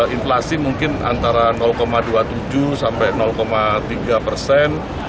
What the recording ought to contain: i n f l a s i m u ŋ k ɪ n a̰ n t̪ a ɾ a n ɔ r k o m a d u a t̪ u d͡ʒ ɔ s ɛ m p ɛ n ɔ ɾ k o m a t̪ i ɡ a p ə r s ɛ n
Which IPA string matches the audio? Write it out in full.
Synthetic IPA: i n f l a s i m u ŋ k ɪ n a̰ n t̪ a ɾ a n ɔ l k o m a d u a t̪ u d͡ʒ u s a m p ɛ n ɔ l k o m a t̪ i ɡ a p ə r s ɛ n